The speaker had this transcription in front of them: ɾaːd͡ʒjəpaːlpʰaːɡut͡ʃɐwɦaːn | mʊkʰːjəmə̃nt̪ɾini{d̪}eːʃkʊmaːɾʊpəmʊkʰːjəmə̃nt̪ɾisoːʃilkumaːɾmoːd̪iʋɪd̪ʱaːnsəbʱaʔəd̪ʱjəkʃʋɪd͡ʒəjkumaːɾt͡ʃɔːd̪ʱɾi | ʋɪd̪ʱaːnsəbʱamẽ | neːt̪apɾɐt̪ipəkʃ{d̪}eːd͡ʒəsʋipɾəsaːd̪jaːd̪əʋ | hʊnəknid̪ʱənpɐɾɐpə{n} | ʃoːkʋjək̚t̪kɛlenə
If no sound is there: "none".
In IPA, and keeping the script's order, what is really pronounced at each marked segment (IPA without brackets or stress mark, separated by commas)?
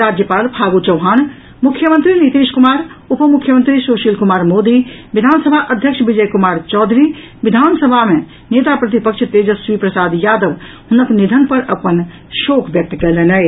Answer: t̪, t̪, n